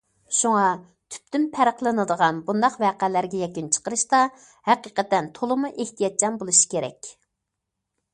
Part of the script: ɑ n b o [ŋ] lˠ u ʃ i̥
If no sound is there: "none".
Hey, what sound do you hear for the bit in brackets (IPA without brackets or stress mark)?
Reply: none